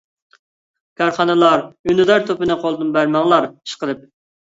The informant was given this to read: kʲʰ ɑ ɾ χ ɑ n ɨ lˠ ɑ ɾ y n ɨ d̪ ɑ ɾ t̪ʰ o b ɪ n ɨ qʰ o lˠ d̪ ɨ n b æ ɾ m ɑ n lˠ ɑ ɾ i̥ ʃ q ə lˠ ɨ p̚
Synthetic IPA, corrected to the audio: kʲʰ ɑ ɾ χ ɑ n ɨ lˠ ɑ ɾ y n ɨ d̪ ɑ ɾ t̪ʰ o p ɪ n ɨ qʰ o lˠ d̪ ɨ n b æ ɾ m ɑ ŋ lˠ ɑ ɾ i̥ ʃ q ə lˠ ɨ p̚